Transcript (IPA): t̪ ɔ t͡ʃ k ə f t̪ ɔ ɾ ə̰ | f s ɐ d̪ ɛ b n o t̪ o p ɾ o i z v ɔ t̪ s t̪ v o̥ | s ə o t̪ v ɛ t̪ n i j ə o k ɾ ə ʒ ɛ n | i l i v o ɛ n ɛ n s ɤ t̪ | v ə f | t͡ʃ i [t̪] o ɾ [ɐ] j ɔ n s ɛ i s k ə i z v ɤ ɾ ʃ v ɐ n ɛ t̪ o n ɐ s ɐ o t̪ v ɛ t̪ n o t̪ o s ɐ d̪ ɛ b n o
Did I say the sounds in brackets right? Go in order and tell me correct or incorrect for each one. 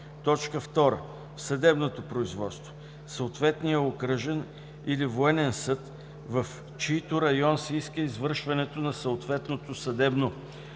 correct, correct

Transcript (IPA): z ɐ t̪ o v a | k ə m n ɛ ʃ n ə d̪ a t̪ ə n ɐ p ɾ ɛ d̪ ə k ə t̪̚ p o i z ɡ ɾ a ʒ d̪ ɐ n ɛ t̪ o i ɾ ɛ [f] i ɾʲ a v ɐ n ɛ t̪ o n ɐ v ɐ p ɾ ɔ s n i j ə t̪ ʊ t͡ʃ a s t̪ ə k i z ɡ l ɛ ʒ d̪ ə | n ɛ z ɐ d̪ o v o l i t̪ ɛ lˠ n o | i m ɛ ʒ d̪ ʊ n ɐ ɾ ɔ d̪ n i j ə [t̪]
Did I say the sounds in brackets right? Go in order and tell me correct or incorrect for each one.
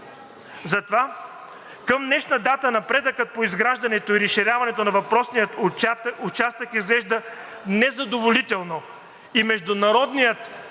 incorrect: ʃ, correct

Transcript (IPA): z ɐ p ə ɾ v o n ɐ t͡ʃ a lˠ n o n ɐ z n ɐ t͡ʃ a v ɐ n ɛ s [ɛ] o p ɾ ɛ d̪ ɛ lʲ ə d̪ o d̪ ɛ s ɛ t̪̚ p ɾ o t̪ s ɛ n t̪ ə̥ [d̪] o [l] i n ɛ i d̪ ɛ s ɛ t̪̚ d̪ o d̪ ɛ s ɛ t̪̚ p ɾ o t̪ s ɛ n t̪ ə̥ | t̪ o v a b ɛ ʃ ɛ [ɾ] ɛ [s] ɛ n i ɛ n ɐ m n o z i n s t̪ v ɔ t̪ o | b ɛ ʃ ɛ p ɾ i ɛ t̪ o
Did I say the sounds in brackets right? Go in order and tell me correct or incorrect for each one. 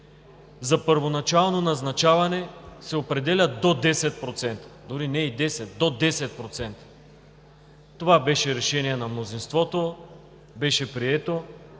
correct, correct, incorrect: ɾ, correct, incorrect: ʃ

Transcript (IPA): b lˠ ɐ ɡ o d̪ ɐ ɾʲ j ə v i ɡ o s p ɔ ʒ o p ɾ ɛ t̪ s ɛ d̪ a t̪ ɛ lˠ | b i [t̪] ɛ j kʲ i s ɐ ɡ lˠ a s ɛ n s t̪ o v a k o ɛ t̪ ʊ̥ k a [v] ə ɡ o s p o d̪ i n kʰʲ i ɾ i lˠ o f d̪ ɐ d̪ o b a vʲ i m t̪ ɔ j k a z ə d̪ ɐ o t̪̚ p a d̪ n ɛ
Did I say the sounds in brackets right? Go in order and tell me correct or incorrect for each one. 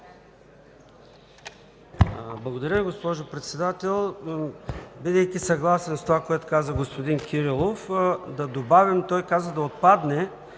incorrect: d̪, incorrect: z

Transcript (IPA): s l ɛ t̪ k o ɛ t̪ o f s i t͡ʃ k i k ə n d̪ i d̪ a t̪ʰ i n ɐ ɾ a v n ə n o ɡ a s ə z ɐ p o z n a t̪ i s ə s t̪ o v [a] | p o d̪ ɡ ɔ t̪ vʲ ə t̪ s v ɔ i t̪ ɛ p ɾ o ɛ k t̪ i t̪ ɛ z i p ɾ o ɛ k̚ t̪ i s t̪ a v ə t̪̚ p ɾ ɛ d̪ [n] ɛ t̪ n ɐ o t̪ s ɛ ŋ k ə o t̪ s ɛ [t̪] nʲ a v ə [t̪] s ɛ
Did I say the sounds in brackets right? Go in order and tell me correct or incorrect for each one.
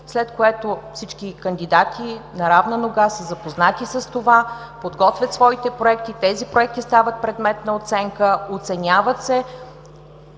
correct, incorrect: m, incorrect: none, correct

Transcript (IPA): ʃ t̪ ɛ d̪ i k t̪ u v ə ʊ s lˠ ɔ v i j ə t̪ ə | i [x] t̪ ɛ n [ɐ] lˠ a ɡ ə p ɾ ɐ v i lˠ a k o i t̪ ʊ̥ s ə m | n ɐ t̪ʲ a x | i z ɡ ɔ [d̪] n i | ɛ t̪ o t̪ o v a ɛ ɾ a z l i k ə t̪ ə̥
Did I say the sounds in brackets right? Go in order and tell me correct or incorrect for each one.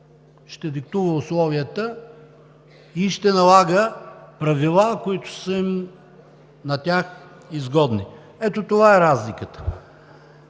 incorrect: ʃ, correct, correct

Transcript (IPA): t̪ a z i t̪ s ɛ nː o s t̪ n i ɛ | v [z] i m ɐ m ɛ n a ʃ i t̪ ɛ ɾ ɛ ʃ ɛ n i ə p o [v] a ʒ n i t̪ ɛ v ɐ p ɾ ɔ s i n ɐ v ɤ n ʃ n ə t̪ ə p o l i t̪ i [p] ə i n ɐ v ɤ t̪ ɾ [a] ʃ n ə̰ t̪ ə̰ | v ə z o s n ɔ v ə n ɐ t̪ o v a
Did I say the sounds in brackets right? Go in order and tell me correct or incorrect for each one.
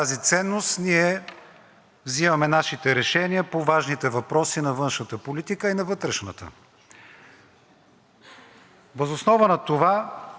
correct, correct, incorrect: k, incorrect: ɛ

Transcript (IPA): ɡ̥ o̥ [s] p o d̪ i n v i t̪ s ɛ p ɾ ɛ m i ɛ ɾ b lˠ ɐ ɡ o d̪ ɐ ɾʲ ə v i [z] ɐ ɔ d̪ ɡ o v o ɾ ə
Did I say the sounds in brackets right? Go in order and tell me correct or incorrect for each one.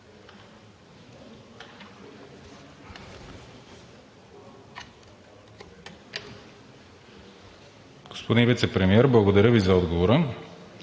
correct, correct

